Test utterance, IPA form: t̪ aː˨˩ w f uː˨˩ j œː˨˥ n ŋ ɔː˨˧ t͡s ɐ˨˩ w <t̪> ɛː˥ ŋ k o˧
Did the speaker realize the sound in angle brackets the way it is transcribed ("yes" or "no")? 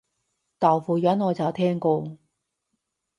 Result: no